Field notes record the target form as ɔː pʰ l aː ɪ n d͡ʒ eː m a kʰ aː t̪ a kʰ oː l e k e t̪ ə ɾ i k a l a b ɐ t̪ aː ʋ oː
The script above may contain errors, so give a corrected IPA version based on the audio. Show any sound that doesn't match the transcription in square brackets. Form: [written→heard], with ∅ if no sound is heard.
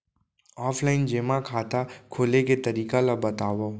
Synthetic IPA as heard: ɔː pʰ l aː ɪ n d͡ʒ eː m a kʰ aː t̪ a kʰ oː l e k e t̪ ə ɾ [i→iː] k a l a b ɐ t̪ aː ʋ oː